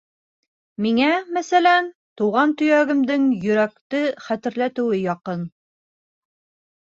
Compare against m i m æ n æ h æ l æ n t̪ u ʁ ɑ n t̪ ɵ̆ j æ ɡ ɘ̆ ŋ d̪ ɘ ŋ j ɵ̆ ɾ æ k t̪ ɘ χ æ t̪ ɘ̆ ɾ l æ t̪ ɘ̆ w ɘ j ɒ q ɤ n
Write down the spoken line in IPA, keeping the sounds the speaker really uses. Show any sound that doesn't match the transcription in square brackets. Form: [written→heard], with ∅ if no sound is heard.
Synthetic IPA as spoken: m i [m→ŋ] æ [n→m] æ [h→s] æ l æ n t̪ u ʁ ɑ n t̪ ɵ̆ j æ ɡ ɘ̆ [ŋ→m] d̪ ɘ ŋ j ɵ̆ ɾ æ k t̪ ɘ χ æ t̪ ɘ̆ ɾ l æ t̪ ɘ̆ w ɘ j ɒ q ɤ n

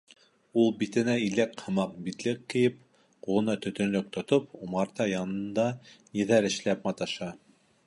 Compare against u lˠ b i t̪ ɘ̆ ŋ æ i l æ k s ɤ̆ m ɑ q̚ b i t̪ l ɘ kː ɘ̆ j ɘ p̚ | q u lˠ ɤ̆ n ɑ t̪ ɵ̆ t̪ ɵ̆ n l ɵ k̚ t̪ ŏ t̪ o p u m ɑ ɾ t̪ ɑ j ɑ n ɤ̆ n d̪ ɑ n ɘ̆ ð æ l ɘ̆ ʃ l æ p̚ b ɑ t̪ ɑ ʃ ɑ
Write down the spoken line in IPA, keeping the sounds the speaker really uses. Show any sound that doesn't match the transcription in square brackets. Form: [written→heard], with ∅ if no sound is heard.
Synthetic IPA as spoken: u lˠ b i t̪ ɘ̆ [ŋ→n] æ i l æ k [s→h] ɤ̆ m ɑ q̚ b i t̪ l ɘ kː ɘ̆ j ɘ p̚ | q u lˠ ɤ̆ n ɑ t̪ ɵ̆ t̪ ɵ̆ n l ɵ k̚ t̪ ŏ t̪ o p u m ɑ ɾ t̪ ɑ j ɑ n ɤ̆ n d̪ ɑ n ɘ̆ ð æ [l→ɾ] ɘ̆ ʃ l æ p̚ [b→m] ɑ t̪ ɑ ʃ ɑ

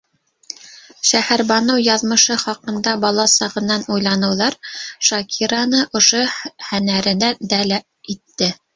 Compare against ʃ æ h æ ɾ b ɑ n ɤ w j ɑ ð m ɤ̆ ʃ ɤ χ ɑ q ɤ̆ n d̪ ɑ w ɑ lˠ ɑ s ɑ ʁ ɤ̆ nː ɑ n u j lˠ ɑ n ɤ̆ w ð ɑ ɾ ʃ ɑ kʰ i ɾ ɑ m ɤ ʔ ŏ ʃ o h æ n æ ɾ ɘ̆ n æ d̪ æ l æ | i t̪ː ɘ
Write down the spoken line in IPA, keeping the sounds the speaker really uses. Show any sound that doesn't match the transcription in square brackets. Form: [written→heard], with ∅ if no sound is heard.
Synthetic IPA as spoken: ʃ æ h æ ɾ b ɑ n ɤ w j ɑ ð m ɤ̆ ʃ ɤ χ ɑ q ɤ̆ n d̪ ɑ [w→b] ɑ lˠ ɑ s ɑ ʁ ɤ̆ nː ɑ n u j lˠ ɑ n ɤ̆ w ð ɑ ɾ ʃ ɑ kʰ i ɾ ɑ [m→n] ɤ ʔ ŏ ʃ o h æ n æ ɾ ɘ̆ n æ d̪ æ l æ | i t̪ː ɘ

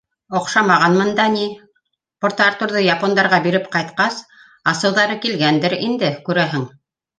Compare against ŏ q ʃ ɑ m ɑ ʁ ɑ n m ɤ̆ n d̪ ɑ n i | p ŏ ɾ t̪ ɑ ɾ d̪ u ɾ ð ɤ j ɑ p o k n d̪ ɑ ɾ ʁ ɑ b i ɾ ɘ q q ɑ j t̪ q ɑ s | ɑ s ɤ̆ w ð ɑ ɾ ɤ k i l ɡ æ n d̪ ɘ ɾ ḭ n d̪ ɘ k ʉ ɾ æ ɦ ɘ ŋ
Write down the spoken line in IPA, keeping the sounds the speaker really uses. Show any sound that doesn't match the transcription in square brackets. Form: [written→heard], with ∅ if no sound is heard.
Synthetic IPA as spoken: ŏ q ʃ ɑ m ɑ ʁ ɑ n m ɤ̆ n d̪ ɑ n i | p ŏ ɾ t̪ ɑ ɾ [d̪→t̪] u ɾ ð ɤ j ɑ p o [k→∅] n d̪ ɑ ɾ ʁ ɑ b i ɾ ɘ [q→p] q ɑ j t̪ q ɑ s | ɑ s ɤ̆ w ð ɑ ɾ ɤ k i l ɡ æ n d̪ ɘ ɾ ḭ n d̪ ɘ k ʉ ɾ æ ɦ ɘ ŋ

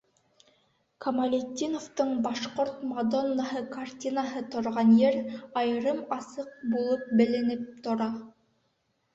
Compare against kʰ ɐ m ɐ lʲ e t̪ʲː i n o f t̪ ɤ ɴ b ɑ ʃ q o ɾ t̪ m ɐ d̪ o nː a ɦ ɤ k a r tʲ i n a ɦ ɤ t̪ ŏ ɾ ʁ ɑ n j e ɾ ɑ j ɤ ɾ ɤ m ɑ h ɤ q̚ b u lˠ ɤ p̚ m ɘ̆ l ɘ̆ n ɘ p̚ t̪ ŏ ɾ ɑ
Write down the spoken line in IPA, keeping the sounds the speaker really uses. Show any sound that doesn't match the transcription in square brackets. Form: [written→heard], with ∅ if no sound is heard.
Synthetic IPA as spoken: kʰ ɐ m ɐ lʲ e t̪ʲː i n o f t̪ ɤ ɴ b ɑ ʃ q o ɾ t̪ m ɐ d̪ o nː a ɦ ɤ k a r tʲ i n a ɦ ɤ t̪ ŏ ɾ ʁ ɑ n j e ɾ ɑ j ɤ ɾ ɤ m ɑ [h→s] ɤ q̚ b u lˠ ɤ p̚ [m→b] ɘ̆ l ɘ̆ n ɘ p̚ t̪ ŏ ɾ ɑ

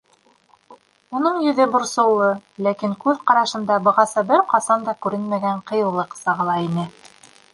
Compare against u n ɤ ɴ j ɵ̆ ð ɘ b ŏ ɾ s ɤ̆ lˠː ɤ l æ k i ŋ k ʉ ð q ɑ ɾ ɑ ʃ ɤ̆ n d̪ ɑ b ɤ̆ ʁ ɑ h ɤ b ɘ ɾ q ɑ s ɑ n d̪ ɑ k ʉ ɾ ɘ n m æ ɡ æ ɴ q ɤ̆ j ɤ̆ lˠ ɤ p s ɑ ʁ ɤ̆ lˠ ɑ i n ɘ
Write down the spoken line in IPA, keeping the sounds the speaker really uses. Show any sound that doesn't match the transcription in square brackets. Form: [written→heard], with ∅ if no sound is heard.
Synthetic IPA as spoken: u n ɤ ɴ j ɵ̆ ð ɘ b ŏ ɾ s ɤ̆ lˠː ɤ l æ k i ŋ k ʉ ð q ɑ ɾ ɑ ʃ ɤ̆ n d̪ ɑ b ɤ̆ ʁ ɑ [h→s] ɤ b ɘ ɾ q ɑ s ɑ n d̪ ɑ k ʉ ɾ ɘ n m æ ɡ æ ɴ q ɤ̆ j ɤ̆ lˠ ɤ [p→q] s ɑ ʁ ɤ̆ lˠ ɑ i n ɘ

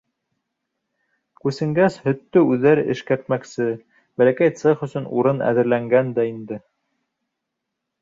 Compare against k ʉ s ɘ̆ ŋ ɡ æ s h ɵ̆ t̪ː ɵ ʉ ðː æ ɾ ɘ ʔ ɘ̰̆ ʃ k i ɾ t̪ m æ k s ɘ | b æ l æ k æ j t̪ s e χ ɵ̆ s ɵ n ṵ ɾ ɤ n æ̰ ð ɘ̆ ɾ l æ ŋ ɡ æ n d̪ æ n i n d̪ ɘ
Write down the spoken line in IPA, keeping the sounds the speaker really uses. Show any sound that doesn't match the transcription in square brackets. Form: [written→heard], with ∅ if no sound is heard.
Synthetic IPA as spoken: k ʉ s ɘ̆ ŋ ɡ æ s h ɵ̆ t̪ː ɵ ʉ ðː æ ɾ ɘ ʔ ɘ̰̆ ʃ k [i→æ] ɾ t̪ m æ k s ɘ | b æ l æ k æ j t̪ s e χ ɵ̆ s ɵ n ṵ ɾ ɤ n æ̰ ð ɘ̆ ɾ l æ ŋ ɡ æ n d̪ æ [n→∅] i n d̪ ɘ

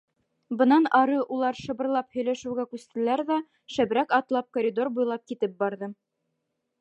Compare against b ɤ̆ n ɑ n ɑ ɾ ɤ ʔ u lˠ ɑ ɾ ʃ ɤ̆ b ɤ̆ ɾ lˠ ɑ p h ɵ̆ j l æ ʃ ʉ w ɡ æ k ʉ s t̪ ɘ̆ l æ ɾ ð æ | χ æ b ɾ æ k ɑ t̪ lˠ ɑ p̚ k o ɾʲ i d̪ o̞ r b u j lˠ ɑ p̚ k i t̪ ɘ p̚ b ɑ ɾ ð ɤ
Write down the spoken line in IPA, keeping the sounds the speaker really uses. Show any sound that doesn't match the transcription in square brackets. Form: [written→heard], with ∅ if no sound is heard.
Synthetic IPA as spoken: b ɤ̆ n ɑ n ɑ ɾ ɤ ʔ u lˠ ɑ ɾ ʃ ɤ̆ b ɤ̆ ɾ lˠ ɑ p h ɵ̆ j l æ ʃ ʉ w ɡ æ k ʉ s t̪ ɘ̆ l æ ɾ ð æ | [χ→ʃ] æ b ɾ æ k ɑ t̪ lˠ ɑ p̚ k o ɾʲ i d̪ o̞ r b u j lˠ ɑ p̚ k i t̪ ɘ p̚ b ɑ ɾ ð ɤ

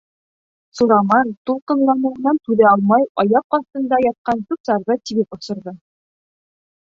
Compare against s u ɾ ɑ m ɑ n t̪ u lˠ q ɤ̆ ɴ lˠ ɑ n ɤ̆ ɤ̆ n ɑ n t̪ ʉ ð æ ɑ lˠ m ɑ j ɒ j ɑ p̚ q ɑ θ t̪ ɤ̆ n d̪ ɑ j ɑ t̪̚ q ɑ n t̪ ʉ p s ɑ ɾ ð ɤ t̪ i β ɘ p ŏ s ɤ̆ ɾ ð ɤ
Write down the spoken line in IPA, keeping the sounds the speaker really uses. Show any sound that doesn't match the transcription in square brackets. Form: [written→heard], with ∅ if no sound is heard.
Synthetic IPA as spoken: s u ɾ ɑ m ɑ n t̪ u lˠ q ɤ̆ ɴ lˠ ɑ n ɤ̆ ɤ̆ n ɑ n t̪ ʉ ð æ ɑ lˠ m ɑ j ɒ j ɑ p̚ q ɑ θ t̪ ɤ̆ n d̪ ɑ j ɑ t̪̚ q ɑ n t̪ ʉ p s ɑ ɾ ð ɤ t̪ i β ɘ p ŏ s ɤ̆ ɾ ð ɤ

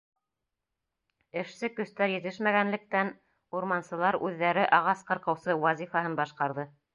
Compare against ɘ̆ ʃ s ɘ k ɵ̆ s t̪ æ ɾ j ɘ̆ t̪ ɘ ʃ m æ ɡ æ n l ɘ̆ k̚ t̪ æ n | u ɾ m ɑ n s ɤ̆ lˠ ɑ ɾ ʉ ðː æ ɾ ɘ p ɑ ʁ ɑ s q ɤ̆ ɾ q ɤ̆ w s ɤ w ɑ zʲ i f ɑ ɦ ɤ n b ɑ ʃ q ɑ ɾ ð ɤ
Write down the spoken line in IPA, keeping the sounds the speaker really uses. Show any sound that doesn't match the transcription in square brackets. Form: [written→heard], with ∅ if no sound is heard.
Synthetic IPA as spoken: ɘ̆ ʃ s ɘ k ɵ̆ s t̪ æ ɾ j ɘ̆ t̪ ɘ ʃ m æ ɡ æ n l ɘ̆ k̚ t̪ æ n | u ɾ m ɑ n s ɤ̆ lˠ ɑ ɾ ʉ ðː æ ɾ ɘ [p→ʔ] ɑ ʁ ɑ s q ɤ̆ ɾ q ɤ̆ w s ɤ w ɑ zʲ i f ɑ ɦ ɤ n b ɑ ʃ q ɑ ɾ ð ɤ

